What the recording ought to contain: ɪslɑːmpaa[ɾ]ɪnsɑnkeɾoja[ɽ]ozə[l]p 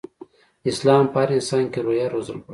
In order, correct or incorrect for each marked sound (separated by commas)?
correct, incorrect, correct